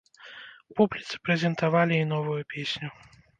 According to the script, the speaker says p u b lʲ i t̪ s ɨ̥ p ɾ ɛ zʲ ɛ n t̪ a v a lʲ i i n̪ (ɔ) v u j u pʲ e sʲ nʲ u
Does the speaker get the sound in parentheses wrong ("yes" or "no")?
no